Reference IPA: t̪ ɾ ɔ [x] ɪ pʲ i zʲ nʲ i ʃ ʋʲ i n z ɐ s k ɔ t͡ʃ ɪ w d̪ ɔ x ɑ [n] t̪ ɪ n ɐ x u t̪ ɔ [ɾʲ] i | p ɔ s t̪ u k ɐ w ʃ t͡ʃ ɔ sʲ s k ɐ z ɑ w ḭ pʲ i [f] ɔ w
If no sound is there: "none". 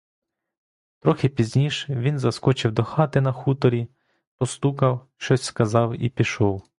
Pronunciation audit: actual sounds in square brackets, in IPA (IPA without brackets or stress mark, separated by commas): x, none, ɾʲ, ʃ